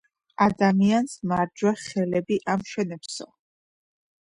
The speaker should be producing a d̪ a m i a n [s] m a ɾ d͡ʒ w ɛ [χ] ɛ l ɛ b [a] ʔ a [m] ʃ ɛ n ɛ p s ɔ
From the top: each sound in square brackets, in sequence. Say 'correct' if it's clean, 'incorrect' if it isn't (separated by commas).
correct, correct, incorrect, correct